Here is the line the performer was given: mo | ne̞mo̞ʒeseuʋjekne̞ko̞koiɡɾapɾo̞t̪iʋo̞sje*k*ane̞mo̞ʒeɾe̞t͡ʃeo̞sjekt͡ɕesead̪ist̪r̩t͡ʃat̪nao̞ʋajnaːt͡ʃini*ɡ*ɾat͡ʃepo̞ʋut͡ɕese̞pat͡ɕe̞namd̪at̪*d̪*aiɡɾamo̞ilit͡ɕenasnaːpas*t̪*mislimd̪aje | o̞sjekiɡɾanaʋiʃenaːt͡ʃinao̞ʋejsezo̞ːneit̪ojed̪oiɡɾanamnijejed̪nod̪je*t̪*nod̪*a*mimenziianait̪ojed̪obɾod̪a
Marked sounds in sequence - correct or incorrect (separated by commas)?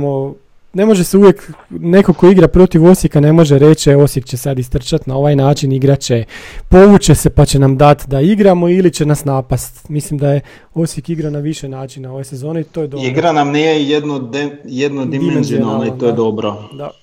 correct, correct, correct, correct, incorrect, incorrect